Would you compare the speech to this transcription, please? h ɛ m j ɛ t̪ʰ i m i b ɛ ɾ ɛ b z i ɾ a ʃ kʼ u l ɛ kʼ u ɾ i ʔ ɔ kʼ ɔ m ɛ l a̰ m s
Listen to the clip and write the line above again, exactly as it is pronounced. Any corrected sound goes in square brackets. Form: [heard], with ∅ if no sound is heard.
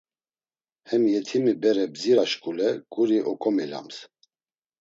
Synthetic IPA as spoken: h ɛ m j ɛ t̪ʰ i m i b ɛ ɾ ɛ b z i ɾ a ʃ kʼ u l ɛ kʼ u ɾ i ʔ ɔ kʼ ɔ m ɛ l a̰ m s